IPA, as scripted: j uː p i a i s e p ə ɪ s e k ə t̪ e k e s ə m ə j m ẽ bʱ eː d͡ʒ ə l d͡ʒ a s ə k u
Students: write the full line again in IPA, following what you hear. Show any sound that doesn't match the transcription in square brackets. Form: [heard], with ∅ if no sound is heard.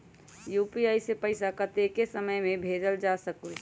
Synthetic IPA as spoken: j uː p i a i s e p ə ɪ s [a] k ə t̪ e k e s ə m ə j m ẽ bʱ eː d͡ʒ ə l d͡ʒ a s ə k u